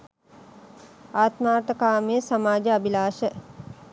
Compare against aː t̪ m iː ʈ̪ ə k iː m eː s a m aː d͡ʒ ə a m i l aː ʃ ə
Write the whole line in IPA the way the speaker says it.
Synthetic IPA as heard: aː t̪ m aː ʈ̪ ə k aː m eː s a m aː d͡ʒ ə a b i l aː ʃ ə